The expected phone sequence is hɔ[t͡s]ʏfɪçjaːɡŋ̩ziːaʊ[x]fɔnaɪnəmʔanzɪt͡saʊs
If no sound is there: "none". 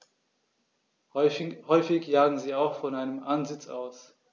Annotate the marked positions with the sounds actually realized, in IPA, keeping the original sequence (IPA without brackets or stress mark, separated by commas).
none, x